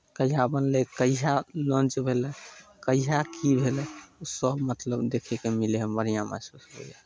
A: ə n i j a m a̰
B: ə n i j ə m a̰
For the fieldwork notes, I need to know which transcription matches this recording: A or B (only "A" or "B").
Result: A